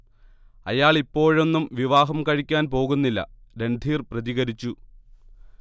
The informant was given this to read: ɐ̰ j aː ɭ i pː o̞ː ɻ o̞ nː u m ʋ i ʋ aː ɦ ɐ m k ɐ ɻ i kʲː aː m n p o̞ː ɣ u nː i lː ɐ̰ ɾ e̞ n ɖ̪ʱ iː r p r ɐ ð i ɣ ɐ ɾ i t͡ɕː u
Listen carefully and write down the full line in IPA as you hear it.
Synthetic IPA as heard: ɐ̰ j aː ɭ i pː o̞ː ɻ o̞ nː u m ʋ i ʋ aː ɦ ɐ m k ɐ ɻ i kʲː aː n p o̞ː ɣ u nː i lː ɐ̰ ɾ e̞ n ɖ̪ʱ iː r p r ɐ ð i ɣ ɐ ɾ i t͡ɕː u